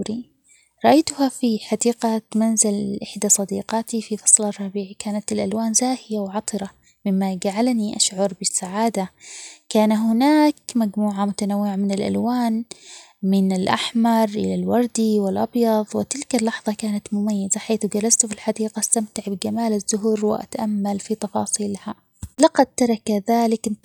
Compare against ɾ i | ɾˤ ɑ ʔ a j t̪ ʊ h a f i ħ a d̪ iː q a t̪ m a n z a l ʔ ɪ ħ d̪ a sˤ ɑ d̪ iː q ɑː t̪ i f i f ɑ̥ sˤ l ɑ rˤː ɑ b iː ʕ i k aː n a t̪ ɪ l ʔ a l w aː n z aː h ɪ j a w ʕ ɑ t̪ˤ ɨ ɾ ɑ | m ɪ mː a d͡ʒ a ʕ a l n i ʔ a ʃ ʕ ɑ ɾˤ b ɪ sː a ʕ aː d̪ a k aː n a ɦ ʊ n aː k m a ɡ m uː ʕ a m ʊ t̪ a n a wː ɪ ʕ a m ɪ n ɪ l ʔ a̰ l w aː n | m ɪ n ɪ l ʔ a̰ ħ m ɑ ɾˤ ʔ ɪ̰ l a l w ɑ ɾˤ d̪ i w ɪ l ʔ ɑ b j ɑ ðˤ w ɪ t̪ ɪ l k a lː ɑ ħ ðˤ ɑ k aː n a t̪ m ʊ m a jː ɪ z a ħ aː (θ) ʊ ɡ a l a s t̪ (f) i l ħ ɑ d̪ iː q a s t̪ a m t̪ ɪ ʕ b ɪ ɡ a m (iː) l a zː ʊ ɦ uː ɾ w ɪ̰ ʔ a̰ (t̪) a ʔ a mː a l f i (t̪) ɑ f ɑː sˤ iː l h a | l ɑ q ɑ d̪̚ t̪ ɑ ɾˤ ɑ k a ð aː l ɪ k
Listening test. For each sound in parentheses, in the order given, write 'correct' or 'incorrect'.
correct, correct, incorrect: aː, correct, correct

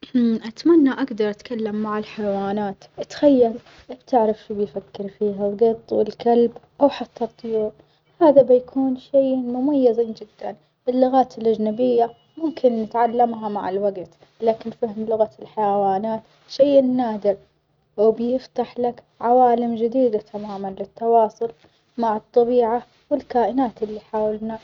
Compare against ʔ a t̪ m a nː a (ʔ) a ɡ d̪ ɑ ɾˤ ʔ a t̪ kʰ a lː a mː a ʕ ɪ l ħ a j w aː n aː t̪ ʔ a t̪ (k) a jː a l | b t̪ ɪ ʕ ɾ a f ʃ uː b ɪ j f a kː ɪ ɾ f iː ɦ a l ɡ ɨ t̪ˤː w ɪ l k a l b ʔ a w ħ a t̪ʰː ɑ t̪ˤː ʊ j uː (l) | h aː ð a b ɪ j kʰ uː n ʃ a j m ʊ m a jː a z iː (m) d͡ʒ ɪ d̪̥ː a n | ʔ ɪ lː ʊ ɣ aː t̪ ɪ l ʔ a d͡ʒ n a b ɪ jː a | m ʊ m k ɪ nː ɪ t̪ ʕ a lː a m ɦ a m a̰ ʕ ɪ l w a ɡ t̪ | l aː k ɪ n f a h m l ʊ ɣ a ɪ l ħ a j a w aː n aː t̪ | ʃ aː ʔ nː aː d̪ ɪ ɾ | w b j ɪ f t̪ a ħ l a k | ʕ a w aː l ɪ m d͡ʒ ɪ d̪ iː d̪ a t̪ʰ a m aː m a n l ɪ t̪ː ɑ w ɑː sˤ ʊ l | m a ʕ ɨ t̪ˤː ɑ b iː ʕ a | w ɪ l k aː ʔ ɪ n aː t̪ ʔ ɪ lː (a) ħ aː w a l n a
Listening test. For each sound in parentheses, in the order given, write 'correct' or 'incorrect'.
correct, incorrect: x, incorrect: ɾ, incorrect: n, incorrect: i

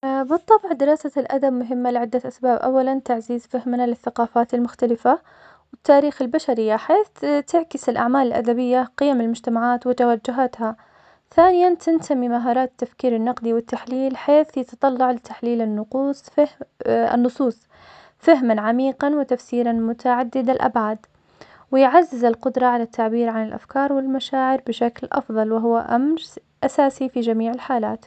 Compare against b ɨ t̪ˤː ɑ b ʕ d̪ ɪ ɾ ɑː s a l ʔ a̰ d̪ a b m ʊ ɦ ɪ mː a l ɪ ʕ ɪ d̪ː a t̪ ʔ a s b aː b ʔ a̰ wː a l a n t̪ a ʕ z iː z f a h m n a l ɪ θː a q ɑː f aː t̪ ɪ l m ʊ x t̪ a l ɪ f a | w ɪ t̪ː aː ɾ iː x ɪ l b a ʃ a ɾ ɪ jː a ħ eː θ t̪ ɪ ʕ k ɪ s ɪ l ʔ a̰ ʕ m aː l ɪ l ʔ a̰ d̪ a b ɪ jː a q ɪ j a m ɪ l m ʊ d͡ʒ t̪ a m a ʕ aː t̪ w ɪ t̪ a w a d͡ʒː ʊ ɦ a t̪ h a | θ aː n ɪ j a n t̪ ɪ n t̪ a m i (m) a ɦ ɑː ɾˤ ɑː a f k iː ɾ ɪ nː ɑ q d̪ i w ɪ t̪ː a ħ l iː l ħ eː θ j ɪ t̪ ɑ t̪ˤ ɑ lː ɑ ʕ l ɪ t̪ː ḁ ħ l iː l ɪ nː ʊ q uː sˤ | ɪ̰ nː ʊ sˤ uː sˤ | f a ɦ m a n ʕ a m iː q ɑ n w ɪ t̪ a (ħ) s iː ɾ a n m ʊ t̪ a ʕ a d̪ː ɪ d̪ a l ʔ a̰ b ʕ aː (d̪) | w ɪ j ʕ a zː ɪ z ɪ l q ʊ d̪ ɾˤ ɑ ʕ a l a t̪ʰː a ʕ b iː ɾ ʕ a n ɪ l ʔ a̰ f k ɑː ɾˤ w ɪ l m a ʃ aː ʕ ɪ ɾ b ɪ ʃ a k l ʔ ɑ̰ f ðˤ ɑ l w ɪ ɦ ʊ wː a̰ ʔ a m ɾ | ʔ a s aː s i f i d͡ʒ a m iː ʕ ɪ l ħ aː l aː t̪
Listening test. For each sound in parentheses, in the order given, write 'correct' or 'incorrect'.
correct, incorrect: f, correct

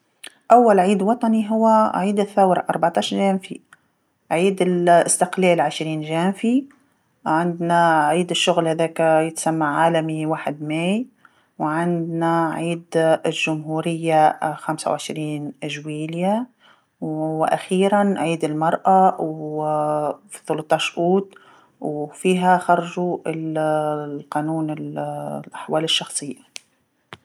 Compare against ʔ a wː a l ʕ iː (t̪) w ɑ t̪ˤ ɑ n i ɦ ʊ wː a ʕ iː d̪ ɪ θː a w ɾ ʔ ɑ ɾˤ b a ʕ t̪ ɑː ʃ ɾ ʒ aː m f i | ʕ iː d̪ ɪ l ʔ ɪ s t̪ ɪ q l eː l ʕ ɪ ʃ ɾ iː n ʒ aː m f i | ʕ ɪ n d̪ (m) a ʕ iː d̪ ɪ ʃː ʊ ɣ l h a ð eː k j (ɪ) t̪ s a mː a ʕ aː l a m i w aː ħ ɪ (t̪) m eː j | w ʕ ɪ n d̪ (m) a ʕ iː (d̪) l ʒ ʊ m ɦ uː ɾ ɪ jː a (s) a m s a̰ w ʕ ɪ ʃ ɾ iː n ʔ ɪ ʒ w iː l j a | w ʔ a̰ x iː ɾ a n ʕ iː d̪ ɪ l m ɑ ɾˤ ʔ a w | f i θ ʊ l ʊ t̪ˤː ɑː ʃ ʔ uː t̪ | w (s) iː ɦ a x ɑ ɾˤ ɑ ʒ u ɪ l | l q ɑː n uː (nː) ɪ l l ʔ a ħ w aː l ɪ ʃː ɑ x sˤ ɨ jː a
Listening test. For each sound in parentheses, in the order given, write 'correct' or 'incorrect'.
incorrect: d̪, incorrect: n, correct, incorrect: d̪, incorrect: n, correct, incorrect: x, incorrect: f, incorrect: n

